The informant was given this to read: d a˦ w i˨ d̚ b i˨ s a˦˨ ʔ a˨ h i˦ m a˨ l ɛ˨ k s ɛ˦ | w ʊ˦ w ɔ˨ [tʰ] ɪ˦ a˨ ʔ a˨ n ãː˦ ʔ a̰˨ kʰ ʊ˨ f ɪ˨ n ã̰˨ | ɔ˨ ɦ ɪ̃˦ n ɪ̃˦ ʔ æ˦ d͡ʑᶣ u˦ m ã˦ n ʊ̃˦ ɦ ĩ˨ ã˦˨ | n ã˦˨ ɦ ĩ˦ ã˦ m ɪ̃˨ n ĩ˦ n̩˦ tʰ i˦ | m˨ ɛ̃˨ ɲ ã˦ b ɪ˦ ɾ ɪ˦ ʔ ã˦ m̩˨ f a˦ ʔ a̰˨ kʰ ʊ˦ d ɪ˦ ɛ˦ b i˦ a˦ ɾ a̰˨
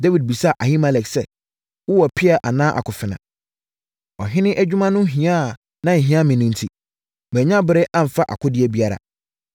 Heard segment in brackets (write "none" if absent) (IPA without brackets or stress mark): pʰ